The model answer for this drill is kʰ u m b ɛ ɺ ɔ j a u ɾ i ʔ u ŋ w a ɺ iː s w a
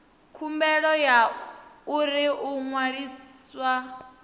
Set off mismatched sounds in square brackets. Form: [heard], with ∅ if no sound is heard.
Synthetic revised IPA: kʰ u m b ɛ ɺ ɔ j a u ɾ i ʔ u ŋ w a ɺ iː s w a